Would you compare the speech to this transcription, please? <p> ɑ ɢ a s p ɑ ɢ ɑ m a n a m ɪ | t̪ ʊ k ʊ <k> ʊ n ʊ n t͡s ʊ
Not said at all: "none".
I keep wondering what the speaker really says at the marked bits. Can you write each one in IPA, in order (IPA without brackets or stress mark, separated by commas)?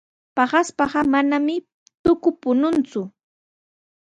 p, p